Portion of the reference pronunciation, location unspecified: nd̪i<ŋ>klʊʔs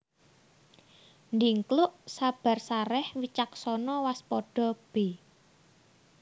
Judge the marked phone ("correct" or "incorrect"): correct